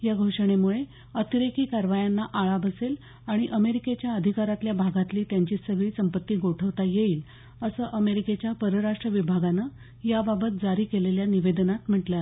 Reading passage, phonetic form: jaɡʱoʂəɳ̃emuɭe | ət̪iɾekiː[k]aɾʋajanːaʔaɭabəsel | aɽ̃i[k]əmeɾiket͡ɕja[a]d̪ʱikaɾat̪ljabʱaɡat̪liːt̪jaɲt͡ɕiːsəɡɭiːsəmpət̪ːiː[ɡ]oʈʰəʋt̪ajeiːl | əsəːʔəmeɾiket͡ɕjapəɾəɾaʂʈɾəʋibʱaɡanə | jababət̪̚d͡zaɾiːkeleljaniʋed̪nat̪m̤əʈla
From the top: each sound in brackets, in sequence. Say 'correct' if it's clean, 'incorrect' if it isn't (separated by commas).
correct, incorrect, incorrect, correct